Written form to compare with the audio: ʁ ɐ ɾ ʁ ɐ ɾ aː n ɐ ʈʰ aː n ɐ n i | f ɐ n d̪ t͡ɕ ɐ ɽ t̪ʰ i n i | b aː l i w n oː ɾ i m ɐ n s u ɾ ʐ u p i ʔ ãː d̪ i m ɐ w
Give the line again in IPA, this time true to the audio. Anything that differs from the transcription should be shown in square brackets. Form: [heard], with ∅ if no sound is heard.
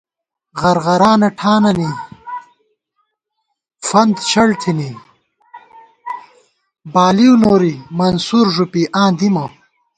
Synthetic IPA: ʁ ɐ ɾ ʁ ɐ ɾ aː n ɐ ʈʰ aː n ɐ n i | f ɐ n d̪ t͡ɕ ɐ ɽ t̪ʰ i n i | b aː l i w n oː ɾ i m ɐ n s u ɾ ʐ u p i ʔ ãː d̪ i m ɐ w

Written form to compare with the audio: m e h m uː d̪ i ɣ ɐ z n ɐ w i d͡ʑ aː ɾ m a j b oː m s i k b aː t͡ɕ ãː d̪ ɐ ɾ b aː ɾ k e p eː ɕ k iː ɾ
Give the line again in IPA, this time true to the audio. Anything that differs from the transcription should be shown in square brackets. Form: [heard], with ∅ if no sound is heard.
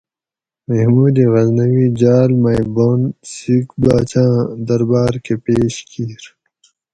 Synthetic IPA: m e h m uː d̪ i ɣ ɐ z n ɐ w i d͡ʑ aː [l] m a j b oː [n] s i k b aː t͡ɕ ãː d̪ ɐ ɾ b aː ɾ k e p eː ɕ k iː ɾ

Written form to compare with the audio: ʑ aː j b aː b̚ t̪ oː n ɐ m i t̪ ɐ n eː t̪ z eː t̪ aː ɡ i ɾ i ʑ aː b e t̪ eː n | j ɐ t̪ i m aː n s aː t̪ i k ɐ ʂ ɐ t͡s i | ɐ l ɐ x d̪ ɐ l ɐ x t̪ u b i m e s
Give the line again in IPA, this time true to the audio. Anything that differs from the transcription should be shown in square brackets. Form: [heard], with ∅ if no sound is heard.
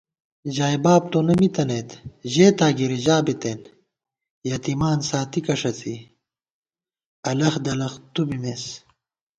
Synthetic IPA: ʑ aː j b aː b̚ t̪ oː n ɐ m i t̪ ɐ n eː t̪ [ʑ] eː t̪ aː ɡ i ɾ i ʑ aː b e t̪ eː n | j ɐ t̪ i m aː n s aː t̪ i k ɐ ʂ ɐ t͡s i | ɐ l ɐ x d̪ ɐ l ɐ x t̪ u b i m e s

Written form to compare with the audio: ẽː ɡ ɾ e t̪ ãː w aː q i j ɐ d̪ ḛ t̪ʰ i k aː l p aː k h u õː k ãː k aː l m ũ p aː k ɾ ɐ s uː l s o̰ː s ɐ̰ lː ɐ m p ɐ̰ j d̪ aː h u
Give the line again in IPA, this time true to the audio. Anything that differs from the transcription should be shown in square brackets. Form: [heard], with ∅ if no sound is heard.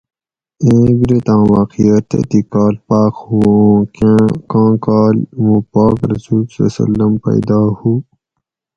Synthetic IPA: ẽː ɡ ɾ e t̪ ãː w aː q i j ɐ [t̪] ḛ [t̪] i k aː l p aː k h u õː k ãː k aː l m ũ p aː k ɾ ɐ s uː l s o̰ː s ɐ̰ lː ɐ m p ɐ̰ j d̪ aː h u

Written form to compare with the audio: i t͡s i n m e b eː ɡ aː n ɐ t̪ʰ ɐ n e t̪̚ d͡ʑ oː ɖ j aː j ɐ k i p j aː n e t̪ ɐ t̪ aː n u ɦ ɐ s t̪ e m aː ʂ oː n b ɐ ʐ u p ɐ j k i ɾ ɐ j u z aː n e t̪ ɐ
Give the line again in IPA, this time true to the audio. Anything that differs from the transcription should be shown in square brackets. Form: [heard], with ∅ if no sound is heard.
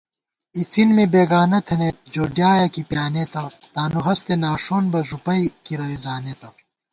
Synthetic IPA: i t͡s i n m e b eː ɡ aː n ɐ t̪ʰ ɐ n e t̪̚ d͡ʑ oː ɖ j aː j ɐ k i p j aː n e t̪ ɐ t̪ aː n u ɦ ɐ s t̪ e [n] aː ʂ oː n b ɐ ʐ u p ɐ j k i ɾ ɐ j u z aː n e t̪ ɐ

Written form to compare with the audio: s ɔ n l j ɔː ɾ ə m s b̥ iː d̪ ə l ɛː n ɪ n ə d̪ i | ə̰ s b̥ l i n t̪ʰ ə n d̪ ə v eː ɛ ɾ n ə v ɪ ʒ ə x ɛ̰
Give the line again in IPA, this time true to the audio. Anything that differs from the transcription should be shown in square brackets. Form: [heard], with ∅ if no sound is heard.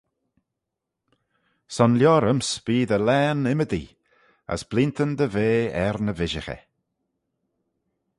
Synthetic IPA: s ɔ n l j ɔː ɾ ə m s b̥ iː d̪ ə l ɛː n ɪ [m] ə d̪ i | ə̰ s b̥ l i n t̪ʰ ə n d̪ ə v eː ɛ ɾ n ə v ɪ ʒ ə x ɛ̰

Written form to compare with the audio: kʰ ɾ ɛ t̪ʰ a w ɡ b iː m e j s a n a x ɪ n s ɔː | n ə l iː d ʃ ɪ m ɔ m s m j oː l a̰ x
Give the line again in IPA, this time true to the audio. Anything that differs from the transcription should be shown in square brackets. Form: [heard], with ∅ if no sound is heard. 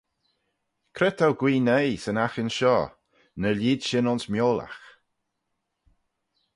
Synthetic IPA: kʰ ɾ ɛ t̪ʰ a w ɡ [w] iː [n] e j s [ə] n a x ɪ n [ʃ] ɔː | n ə l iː d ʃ ɪ [n] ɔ [n] s m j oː l a̰ x

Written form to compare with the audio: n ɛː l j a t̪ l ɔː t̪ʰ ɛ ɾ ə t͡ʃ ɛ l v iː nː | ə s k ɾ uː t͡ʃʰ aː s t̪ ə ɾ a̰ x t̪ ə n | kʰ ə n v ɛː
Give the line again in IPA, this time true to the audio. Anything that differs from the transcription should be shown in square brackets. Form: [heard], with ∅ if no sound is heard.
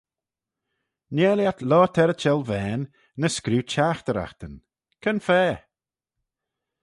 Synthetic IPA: n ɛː l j a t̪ l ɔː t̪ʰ ɛ ɾ ə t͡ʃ ɛ l v [ɛː] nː | ə s k ɾ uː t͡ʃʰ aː [x] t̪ ə ɾ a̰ x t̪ ə n | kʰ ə n [f] ɛː

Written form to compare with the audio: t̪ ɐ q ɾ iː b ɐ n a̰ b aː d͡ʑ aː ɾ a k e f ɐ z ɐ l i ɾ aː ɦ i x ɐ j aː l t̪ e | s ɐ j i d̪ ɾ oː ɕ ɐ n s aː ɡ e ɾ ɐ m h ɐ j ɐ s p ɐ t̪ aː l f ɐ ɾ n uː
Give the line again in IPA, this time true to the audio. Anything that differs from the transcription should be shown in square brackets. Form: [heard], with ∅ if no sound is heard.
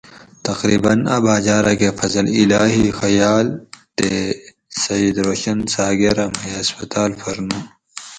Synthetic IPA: t̪ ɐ q ɾ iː b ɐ n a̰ b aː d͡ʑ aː ɾ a k e f ɐ z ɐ l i [l] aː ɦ i x ɐ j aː l t̪ e | s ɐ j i d̪ ɾ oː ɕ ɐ n s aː ɡ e ɾ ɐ m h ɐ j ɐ s p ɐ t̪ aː l f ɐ ɾ n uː

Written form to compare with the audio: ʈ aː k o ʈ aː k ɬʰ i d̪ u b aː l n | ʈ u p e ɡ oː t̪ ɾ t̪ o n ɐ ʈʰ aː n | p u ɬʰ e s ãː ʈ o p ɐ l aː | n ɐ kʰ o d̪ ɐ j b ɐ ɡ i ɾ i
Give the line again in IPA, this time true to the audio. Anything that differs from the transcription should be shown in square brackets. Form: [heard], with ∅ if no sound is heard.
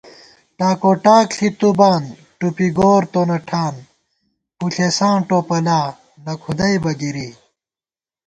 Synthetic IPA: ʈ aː k o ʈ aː k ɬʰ i [t̪] u b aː [∅] n | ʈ u p [i] ɡ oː [∅] ɾ t̪ o n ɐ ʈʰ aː n | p u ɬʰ e s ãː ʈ o p ɐ l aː | n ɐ kʰ [u] d̪ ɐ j b ɐ ɡ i ɾ i

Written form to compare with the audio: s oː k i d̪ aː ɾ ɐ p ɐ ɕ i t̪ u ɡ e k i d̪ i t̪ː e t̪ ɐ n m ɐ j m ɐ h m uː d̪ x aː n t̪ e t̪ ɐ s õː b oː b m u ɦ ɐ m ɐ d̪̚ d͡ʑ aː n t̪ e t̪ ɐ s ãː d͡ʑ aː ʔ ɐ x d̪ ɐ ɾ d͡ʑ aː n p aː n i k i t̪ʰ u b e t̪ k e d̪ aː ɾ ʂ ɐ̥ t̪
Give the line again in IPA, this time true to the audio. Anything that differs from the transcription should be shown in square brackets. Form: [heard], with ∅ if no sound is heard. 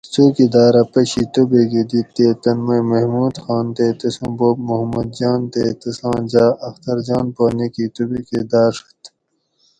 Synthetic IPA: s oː k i d̪ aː ɾ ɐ p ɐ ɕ i t̪ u [b] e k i d̪ i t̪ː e t̪ ɐ n m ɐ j m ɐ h m uː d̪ x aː n t̪ e t̪ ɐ s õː b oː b m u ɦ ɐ m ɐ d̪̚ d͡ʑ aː n t̪ e t̪ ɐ s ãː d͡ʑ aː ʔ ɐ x [t̪] ɐ ɾ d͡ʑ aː n p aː n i k i [t̪] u b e [∅] k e d̪ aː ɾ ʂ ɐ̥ t̪

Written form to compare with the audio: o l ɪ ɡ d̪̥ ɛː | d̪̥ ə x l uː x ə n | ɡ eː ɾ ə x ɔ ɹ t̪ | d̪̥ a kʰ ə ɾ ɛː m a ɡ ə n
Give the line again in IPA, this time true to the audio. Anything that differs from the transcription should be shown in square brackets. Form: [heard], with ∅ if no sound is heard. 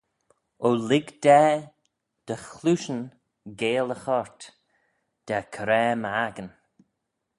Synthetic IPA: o l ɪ ɡ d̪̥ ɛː | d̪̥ ə x l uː [ʃ] ə n | ɡ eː [l] ə x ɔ ɹ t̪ | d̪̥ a kʰ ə ɾ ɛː m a ɡ ə n

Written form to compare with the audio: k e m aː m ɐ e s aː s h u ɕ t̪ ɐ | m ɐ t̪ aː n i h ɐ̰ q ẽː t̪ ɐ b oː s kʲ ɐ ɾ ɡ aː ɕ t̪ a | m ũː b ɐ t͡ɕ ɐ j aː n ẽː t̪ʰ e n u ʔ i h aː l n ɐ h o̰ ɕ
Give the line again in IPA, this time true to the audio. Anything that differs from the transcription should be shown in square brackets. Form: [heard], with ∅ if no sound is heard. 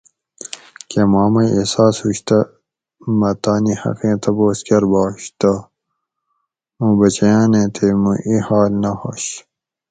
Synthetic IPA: k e m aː m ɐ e s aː s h u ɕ t̪ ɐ | m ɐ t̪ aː n i h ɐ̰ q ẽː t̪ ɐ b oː s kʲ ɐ ɾ [b] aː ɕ t̪ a | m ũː b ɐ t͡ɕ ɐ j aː n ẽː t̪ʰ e [m] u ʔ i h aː l n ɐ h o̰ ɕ

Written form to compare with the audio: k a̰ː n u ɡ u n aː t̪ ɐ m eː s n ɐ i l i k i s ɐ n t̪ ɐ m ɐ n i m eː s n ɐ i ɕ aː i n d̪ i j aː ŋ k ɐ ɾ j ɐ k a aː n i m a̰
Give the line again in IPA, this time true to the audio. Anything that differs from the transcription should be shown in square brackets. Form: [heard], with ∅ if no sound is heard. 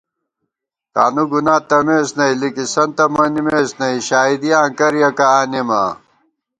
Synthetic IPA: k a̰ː n u ɡ u n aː t̪ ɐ m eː s n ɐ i l i k i s ɐ n t̪ ɐ m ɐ n i m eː s n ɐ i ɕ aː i [∅] d̪ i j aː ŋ k ɐ ɾ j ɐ k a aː n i m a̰

